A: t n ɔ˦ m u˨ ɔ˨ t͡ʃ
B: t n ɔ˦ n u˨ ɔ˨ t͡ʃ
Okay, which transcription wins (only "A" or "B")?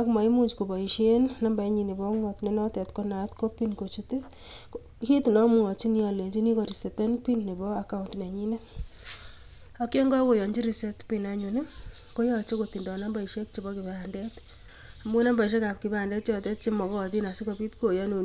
A